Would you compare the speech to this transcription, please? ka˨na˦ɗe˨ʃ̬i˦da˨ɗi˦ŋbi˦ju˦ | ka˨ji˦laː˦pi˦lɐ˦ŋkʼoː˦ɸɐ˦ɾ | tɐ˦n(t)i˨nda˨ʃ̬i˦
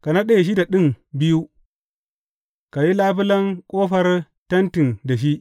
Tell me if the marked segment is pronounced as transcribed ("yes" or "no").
yes